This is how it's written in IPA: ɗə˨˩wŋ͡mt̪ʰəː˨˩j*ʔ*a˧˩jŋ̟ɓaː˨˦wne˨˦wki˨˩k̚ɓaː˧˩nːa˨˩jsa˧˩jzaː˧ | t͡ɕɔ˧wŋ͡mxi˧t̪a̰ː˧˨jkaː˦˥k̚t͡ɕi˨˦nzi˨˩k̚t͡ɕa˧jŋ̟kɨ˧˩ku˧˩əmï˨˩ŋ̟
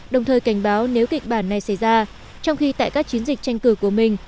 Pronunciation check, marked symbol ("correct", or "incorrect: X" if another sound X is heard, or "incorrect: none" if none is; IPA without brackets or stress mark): incorrect: k